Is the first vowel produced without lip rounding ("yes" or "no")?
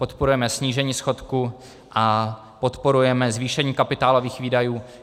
no